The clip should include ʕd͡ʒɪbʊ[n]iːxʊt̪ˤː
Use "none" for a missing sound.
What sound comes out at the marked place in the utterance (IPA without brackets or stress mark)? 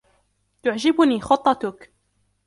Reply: n